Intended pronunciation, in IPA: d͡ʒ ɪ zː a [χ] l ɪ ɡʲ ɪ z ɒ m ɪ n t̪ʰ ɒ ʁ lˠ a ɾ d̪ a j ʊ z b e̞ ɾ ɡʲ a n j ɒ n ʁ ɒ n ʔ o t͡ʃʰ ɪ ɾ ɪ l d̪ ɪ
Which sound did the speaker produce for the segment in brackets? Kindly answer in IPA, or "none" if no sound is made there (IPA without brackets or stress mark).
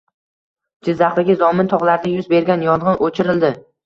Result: χ